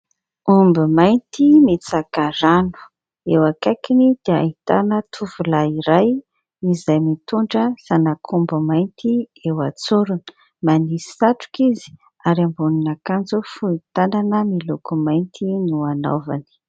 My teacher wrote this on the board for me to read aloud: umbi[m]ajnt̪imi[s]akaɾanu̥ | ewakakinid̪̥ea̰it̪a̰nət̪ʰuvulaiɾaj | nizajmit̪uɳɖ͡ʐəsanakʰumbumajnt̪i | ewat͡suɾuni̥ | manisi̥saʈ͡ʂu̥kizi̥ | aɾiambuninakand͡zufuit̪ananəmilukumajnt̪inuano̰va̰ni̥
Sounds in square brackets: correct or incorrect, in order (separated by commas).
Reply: correct, incorrect